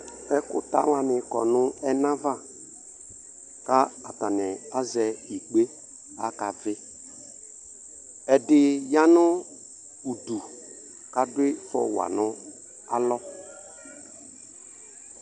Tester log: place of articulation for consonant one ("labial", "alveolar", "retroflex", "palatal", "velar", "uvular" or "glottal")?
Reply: velar